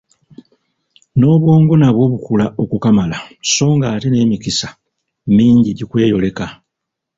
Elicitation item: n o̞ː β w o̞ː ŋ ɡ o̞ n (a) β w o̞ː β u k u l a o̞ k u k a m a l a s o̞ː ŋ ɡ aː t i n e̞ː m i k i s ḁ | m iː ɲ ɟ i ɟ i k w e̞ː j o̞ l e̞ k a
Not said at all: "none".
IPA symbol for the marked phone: a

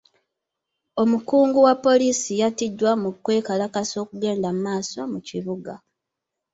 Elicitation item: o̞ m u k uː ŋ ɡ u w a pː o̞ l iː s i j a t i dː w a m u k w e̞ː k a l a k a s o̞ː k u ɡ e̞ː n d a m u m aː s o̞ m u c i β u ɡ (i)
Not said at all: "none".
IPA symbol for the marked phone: a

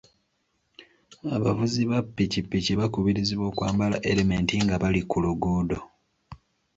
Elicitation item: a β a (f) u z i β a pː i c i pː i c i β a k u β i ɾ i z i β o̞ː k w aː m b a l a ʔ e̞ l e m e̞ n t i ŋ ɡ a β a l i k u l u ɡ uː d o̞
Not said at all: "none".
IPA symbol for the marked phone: v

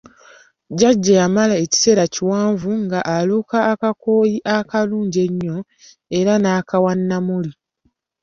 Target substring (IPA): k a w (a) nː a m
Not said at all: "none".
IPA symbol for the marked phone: a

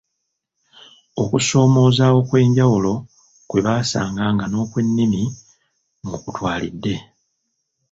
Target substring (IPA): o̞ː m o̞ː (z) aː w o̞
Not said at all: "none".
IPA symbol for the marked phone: z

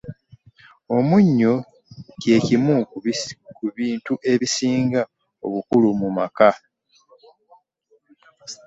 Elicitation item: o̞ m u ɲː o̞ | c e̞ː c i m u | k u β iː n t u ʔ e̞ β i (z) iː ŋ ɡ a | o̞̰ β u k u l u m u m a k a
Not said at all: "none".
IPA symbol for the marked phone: s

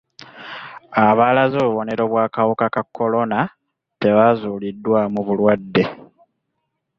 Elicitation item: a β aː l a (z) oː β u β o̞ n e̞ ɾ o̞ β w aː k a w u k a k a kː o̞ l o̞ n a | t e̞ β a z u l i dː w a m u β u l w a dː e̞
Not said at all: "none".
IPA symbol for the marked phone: z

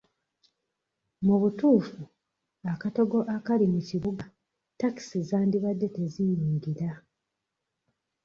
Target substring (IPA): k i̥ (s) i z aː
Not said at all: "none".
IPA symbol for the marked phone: s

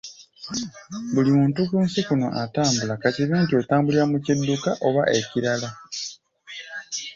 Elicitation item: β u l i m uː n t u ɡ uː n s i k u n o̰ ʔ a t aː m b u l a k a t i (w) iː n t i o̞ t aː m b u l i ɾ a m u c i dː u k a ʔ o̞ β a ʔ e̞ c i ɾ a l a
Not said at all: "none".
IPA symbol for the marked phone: β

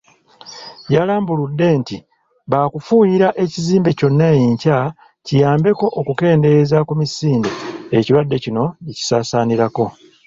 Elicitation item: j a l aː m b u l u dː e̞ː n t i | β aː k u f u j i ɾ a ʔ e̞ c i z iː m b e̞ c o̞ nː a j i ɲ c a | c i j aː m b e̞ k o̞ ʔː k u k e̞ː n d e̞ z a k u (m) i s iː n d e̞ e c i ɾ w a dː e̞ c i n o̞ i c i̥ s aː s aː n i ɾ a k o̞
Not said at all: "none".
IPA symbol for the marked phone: m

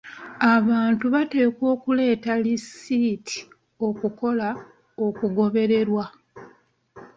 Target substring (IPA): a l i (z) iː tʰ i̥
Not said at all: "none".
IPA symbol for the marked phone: s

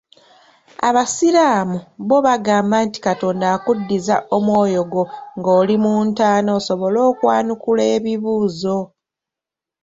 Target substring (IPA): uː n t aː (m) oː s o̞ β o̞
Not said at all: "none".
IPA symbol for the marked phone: n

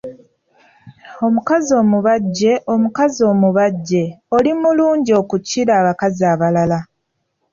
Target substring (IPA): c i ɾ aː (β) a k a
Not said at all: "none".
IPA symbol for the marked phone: β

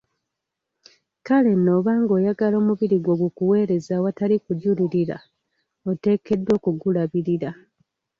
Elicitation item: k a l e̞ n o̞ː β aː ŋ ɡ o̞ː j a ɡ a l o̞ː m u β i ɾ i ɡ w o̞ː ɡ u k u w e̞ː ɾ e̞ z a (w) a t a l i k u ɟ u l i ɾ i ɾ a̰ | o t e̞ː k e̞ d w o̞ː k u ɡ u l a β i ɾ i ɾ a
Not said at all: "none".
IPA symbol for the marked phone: w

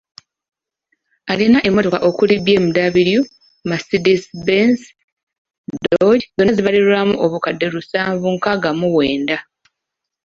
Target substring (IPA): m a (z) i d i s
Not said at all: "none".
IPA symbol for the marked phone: s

